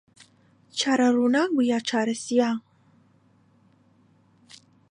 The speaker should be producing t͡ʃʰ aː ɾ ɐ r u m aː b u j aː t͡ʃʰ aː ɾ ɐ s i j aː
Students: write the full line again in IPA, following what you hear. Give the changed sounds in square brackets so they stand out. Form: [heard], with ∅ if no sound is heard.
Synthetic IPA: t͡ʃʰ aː ɾ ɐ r u [n] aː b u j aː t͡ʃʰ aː ɾ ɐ s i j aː